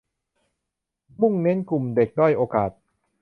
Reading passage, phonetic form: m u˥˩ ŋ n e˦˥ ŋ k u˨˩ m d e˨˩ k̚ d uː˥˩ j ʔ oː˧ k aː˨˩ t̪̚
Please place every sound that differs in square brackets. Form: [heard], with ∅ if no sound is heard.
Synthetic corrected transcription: m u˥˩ ŋ n e˦˥ [n] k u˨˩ m d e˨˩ k̚ d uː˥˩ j ʔ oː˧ k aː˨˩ t̪̚